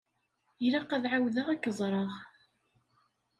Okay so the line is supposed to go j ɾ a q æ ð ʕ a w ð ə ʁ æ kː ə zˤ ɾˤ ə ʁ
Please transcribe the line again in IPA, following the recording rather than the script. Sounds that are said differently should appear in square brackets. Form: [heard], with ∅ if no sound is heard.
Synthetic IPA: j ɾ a q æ ð ʕ a w ð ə ʁ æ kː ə zˤ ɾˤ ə ʁ